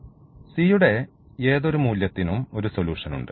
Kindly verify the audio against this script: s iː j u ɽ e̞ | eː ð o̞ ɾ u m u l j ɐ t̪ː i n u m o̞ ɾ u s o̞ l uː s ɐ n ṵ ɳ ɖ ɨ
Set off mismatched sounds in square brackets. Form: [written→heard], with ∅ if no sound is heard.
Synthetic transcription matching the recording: s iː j u ɽ e̞ | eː ð o̞ ɾ u m [u→uː] l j ɐ t̪ː i n u m o̞ ɾ u s o̞ l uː [s→ʂ] ɐ n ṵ ɳ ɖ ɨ